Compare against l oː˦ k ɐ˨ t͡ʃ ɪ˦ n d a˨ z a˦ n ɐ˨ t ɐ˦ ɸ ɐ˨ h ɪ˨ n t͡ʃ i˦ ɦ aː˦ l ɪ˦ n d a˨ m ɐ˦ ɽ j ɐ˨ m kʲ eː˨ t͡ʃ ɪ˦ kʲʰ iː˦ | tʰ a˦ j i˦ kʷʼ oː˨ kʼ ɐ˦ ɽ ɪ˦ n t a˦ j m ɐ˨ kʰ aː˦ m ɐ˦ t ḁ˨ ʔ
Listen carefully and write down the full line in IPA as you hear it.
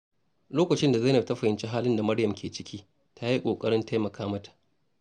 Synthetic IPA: l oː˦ k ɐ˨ t͡ʃ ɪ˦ n d a˨ z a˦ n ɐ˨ t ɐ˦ ɸ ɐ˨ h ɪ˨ n t͡ʃ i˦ ɦ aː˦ l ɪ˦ n d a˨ m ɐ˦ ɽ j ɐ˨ m kʲ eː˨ t͡ʃ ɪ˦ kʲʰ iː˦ | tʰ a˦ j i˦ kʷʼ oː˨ kʼ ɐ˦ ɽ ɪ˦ n t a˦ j m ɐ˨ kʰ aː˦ m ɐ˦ t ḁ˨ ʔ